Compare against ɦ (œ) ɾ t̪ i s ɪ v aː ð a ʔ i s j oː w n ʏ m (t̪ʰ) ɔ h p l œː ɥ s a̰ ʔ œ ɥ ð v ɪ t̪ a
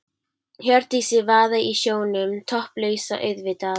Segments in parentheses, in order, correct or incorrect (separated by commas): correct, correct